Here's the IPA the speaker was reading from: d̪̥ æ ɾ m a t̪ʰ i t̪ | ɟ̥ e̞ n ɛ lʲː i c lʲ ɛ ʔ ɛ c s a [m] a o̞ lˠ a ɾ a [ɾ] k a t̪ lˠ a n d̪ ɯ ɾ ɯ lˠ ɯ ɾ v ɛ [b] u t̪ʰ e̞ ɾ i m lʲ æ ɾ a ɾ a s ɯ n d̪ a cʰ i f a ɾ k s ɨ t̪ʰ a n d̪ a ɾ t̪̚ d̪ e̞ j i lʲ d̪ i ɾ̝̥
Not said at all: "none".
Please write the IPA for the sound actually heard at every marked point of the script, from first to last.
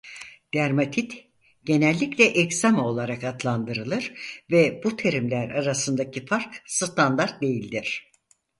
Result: m, none, b

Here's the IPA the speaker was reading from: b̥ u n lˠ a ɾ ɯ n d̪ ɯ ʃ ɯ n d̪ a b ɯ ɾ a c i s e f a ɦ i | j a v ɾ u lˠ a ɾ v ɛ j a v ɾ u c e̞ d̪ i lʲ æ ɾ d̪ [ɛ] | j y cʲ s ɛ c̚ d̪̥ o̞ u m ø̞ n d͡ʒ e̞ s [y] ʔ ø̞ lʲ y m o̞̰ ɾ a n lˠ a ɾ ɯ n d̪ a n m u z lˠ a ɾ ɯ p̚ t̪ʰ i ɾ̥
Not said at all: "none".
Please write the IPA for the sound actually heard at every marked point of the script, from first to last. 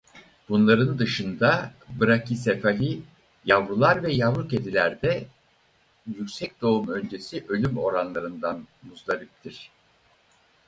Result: ɛ, i

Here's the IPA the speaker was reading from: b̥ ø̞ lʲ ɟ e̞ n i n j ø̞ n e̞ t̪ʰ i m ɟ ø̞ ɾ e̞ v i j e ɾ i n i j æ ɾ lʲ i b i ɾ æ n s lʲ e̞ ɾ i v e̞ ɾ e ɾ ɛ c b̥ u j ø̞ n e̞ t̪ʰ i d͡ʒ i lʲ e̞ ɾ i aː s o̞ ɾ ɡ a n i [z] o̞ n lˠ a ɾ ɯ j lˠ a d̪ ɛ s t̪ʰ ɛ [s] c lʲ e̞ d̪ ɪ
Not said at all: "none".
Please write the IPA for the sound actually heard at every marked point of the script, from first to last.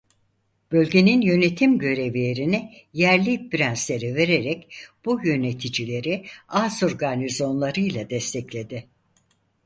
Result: z, none

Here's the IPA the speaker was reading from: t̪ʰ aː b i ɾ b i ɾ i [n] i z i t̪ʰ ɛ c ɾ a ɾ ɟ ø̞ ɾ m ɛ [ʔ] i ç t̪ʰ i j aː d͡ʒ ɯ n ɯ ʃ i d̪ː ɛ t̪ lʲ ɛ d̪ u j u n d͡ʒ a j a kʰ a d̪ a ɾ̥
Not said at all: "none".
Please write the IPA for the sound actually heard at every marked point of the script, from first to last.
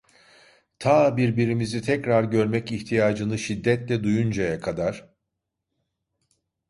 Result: m, c

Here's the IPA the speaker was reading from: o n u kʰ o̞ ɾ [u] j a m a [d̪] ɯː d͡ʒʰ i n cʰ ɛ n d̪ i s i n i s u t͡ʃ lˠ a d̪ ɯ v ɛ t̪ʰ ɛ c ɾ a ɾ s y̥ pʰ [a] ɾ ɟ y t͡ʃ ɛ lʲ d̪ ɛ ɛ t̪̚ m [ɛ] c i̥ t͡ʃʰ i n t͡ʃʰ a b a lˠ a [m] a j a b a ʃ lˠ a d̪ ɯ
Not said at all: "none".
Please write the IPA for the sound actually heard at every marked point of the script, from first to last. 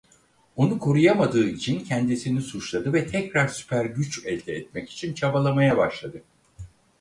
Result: u, d̪, æ, ɛ, m

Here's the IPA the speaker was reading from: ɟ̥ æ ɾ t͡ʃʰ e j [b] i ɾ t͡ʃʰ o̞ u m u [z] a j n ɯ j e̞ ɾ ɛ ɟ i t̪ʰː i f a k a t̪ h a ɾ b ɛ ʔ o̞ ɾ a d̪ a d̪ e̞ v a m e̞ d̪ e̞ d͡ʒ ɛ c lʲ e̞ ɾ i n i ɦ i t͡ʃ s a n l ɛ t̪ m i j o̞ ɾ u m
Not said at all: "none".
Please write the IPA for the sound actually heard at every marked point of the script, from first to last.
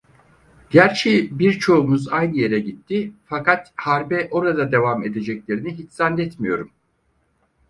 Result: b, z

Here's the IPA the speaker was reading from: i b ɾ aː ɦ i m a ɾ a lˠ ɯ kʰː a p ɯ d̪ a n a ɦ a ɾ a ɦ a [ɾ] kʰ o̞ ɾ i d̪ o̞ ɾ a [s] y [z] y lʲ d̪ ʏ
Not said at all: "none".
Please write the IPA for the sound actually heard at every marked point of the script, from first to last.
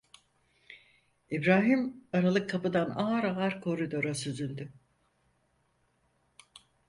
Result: ɾ, s, z

